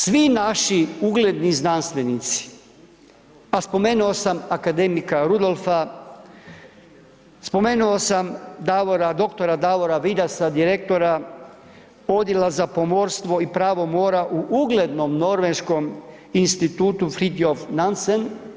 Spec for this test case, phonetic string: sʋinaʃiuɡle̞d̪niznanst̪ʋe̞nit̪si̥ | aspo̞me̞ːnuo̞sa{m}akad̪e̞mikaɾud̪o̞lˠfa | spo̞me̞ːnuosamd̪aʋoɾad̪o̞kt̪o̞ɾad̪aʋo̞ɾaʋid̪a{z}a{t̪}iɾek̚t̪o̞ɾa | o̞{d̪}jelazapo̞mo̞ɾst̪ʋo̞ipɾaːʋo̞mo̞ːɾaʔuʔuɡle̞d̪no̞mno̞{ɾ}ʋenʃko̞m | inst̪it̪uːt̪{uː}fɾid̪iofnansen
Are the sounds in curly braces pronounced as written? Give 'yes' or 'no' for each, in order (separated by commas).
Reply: yes, no, no, yes, yes, no